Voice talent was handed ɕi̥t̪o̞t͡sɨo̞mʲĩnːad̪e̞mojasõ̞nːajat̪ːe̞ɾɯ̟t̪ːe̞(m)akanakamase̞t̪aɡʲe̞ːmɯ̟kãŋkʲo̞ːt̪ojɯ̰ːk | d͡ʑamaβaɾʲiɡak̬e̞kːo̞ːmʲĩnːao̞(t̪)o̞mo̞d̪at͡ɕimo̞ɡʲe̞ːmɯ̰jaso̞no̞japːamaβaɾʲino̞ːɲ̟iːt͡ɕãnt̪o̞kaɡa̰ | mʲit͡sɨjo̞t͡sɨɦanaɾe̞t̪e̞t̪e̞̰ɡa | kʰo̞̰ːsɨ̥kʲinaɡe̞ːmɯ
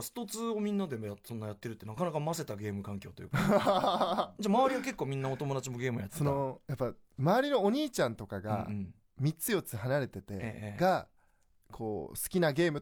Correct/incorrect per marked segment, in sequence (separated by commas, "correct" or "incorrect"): incorrect, correct